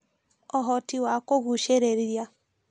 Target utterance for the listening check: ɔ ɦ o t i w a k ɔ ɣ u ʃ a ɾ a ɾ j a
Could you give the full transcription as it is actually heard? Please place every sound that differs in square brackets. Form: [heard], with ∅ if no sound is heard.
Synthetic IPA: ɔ ɦ [ɔ] t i w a k [o] ɣ u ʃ [e] ɾ [e] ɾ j a

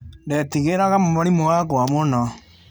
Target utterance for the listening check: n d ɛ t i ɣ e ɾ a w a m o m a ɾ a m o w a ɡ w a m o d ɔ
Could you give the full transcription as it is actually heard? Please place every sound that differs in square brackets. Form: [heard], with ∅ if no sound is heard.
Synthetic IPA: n d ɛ t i ɣ e ɾ a [ɣ] a m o m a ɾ [i] m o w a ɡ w a m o [n] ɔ

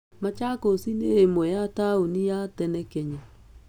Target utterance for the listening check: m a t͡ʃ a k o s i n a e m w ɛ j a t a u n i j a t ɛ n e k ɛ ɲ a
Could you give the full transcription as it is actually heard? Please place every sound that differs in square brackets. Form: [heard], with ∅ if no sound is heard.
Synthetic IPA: m a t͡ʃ a k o s i n [e] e m w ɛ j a t a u n i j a t ɛ n [ɛ] k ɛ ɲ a

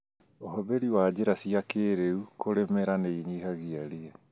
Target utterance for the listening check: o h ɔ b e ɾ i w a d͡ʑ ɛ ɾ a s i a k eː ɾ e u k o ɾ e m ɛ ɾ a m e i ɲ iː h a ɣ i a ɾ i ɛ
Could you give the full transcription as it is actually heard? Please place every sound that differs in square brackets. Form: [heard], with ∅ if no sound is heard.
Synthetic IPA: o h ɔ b e ɾ i w a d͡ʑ [e] ɾ a s i a k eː ɾ e u k o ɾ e m ɛ ɾ a [n] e i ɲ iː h a ɣ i a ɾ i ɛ

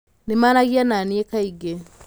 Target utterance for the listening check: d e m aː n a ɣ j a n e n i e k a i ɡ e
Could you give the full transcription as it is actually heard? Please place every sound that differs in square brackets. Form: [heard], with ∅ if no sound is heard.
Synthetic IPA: [n] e m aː n a ɣ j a n [a] n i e k a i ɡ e

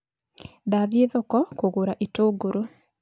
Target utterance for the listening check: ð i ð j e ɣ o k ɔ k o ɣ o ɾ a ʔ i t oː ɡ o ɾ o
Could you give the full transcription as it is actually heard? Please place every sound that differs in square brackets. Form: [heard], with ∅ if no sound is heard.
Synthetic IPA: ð [a] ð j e [ð] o k ɔ k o ɣ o ɾ a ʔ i t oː ɡ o ɾ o

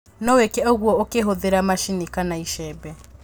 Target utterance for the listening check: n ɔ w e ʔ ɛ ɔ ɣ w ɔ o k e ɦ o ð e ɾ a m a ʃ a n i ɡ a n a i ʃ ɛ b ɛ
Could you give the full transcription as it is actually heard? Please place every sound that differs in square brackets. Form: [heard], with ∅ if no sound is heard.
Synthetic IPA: n ɔ w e [k] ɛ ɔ ɣ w ɔ o k e ɦ o ð e ɾ a m a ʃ [i] n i [k] a n a i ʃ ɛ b ɛ

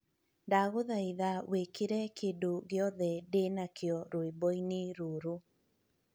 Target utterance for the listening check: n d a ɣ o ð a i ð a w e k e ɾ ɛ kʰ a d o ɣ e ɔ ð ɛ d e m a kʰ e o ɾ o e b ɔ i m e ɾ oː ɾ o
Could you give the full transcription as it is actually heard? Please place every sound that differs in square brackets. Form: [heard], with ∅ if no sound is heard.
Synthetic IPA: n d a ɣ o ð a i ð a w e k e ɾ ɛ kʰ [e] d o ɣ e ɔ ð ɛ d e [n] a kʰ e [ɔ] ɾ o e b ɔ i [n] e ɾ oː ɾ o

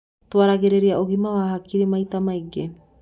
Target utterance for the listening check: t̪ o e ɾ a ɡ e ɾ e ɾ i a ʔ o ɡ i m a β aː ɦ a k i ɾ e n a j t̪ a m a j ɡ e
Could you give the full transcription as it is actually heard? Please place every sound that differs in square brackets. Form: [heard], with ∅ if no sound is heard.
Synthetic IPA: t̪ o [a] ɾ a ɡ e ɾ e ɾ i a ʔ o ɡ i m a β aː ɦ a k i ɾ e [m] a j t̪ a m a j ɡ e

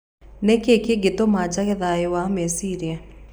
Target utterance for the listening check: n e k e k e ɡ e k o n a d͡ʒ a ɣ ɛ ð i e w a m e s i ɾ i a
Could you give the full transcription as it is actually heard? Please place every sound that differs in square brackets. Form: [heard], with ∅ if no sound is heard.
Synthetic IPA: n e k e k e ɡ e [t] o [m] a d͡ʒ a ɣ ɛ ð [a] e w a m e s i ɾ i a

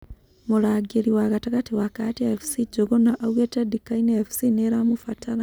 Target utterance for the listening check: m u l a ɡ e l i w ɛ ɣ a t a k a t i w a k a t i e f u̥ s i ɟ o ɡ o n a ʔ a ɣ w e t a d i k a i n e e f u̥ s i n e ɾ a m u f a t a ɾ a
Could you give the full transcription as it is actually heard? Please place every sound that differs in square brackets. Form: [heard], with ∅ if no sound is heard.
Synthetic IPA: m u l a ɡ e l i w [a] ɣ a t a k a t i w a k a t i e f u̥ s i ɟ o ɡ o n a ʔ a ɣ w e t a d i k a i n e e f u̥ s i n e ɾ a m u f a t a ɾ a

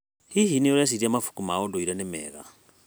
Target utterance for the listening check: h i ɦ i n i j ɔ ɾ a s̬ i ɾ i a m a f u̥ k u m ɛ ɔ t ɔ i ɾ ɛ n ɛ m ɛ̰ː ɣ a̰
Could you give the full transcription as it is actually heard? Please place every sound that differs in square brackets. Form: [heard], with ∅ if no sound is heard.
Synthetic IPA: h i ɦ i n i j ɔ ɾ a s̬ i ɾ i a m a f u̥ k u m [a] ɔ [d] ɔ i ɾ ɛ n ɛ m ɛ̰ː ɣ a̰

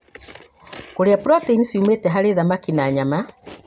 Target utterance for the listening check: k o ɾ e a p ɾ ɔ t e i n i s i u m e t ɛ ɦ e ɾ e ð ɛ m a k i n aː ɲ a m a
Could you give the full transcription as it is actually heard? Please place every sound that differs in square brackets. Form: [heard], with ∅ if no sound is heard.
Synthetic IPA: k o ɾ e a p ɾ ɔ t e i n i s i u m e t ɛ ɦ [a] ɾ e ð [a] m a k i n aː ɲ a m a

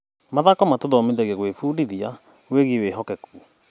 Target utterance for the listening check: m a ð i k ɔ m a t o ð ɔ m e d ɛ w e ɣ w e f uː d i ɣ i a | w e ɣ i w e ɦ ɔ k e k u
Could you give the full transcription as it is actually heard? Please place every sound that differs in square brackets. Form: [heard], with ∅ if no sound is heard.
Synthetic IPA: m a ð [a] k ɔ m a t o ð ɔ m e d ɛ [ɣ] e ɣ w e f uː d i [ð] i a | w e ɣ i w e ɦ ɔ k [ɛ] k u

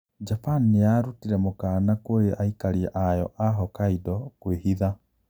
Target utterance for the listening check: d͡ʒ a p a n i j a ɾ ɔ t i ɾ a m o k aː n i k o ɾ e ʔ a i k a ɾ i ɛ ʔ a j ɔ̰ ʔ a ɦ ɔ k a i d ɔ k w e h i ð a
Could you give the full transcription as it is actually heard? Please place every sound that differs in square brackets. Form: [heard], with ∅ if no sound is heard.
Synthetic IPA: d͡ʒ a p a n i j a ɾ [u] t i ɾ [ɛ] m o k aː n [a] k o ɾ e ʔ a i k a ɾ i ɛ ʔ a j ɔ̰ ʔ a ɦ ɔ k a i d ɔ k w e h i ð a

